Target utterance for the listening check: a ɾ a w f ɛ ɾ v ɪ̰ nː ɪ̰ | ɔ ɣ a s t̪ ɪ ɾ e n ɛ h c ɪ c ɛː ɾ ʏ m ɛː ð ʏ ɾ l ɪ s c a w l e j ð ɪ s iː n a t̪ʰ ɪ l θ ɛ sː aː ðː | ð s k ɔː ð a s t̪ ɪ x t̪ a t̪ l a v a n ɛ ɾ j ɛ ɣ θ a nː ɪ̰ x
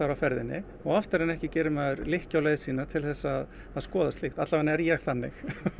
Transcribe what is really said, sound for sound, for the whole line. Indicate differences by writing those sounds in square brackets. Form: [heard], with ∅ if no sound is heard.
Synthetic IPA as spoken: a ɾ a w f ɛ ɾ [ð] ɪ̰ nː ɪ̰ | ɔ ɣ a [f] t̪ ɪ ɾ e n ɛ h c ɪ c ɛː ɾ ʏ m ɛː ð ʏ ɾ l ɪ [h] c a w l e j ð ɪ s iː n a t̪ʰ ɪ l θ ɛ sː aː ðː | ð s k ɔː ð a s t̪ ɪ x t̪ a t̪ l a v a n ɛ ɾ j ɛ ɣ θ a nː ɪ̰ x